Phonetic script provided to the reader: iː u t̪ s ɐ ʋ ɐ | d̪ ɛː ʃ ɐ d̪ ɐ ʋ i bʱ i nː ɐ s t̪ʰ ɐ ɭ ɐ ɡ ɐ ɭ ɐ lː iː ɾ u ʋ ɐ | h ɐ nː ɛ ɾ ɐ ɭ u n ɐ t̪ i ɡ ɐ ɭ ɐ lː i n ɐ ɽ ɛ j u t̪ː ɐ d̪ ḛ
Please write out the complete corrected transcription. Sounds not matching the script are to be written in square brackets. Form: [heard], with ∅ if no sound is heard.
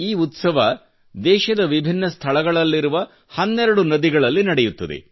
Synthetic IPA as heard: iː u t̪ s ɐ ʋ ɐ | d̪ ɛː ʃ ɐ d̪ ɐ ʋ i bʱ i nː ɐ s t̪ʰ ɐ ɭ ɐ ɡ ɐ ɭ ɐ lː [i] ɾ u ʋ ɐ | h ɐ nː ɛ ɾ ɐ [ɽ] u n ɐ [d̪] i ɡ ɐ ɭ ɐ lː i n ɐ ɽ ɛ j u t̪ː ɐ d̪ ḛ